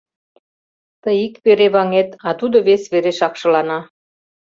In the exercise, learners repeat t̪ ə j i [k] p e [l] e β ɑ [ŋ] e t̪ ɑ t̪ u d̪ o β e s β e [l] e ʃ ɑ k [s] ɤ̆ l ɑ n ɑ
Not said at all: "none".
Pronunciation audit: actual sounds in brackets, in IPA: k, ɾ, ŋ, ɾ, ʃ

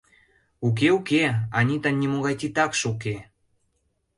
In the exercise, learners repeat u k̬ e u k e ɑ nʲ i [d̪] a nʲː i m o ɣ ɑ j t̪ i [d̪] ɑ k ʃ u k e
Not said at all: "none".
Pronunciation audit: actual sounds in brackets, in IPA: t̪, t̪

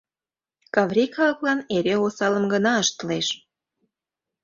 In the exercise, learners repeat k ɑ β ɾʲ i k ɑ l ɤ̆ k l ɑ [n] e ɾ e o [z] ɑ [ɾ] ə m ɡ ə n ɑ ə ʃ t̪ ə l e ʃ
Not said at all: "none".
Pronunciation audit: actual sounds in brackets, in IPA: n, s, l

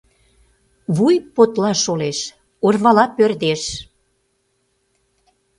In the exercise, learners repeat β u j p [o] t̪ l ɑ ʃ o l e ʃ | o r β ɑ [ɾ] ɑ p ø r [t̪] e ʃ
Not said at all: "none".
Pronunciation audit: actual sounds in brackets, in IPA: o, l, d̪

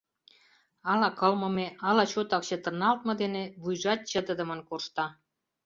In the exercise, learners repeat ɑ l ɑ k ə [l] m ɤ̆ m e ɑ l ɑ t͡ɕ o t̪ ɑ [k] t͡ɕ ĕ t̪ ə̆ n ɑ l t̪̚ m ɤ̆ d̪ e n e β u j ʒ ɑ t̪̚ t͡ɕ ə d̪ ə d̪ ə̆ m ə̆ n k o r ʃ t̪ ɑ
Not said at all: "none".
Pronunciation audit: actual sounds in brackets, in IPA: l, k

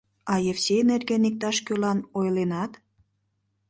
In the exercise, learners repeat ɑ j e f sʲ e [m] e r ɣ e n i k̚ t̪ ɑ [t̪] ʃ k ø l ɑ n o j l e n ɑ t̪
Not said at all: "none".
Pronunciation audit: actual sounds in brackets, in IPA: n, none

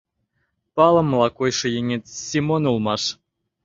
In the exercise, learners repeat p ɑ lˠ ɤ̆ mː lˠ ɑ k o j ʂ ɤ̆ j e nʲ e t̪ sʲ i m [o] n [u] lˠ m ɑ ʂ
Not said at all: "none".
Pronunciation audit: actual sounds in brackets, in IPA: o, u

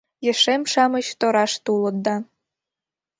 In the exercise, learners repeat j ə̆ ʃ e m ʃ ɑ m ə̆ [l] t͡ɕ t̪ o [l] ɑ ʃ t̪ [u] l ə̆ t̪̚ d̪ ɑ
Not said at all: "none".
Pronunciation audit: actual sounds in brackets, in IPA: none, ɾ, u

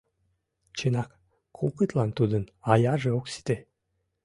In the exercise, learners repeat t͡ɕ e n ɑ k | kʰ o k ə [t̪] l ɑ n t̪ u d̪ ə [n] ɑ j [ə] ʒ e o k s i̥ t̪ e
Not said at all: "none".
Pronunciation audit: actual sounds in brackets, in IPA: t̪, n, ɑ

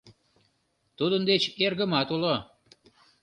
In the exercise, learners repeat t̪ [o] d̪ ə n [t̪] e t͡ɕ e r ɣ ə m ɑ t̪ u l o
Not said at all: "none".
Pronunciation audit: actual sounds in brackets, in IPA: u, d̪

